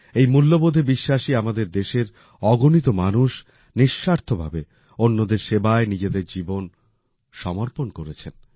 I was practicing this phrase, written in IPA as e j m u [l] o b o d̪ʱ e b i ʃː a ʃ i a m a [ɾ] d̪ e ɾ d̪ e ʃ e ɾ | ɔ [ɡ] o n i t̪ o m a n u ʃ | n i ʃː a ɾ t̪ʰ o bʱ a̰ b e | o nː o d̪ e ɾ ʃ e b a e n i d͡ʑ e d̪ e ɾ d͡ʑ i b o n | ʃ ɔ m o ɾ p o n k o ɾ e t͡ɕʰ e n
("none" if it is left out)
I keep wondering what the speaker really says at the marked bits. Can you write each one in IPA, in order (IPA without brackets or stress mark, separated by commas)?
lː, none, ɡ